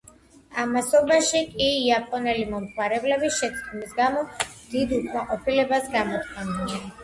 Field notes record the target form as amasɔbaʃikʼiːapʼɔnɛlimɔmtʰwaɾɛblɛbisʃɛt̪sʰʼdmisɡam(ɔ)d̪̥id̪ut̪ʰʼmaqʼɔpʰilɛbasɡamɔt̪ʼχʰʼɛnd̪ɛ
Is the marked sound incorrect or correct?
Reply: correct